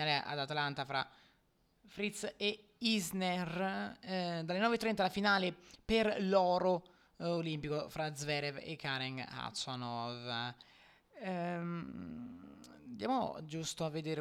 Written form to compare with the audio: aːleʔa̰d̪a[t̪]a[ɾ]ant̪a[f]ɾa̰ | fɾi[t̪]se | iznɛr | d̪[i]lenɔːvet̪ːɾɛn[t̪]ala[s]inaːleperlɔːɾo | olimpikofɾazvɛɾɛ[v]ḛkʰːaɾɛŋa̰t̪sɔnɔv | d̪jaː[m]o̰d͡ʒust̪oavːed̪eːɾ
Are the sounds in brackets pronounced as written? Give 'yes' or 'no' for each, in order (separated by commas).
yes, no, yes, yes, no, yes, no, yes, yes